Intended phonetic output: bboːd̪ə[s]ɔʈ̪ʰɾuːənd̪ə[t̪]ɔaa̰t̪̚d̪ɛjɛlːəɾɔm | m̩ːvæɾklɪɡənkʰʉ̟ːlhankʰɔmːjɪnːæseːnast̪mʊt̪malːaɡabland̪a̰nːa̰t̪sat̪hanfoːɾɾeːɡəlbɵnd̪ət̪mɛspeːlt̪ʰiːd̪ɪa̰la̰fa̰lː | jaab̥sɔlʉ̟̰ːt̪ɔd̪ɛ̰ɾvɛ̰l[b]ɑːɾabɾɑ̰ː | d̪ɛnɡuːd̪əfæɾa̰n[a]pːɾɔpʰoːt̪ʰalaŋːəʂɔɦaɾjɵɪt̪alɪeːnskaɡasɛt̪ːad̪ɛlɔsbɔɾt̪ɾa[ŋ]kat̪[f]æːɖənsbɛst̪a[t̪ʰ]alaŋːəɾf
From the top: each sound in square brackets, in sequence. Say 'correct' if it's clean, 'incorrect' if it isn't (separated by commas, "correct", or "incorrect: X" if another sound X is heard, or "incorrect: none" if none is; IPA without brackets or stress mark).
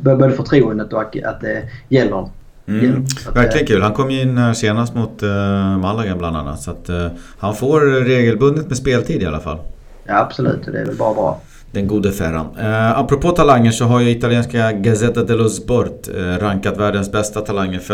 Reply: incorrect: f, correct, correct, correct, correct, incorrect: v, correct